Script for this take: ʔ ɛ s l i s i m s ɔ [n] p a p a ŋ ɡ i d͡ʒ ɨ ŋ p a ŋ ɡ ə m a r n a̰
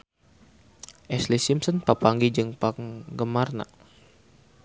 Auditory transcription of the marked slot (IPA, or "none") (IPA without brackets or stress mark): n